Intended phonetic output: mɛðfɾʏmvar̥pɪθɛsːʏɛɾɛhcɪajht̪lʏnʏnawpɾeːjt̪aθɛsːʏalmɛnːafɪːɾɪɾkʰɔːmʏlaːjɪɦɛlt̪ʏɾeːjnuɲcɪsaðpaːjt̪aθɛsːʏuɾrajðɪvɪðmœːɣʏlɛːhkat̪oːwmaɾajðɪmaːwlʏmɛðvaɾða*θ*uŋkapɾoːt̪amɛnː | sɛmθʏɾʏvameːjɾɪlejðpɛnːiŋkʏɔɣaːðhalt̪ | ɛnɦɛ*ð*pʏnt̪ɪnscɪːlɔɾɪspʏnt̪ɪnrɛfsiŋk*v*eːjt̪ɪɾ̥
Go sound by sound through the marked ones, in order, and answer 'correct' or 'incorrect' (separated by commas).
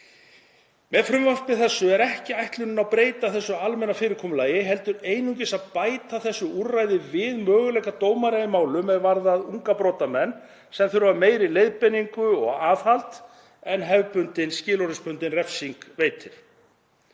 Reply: incorrect, incorrect, correct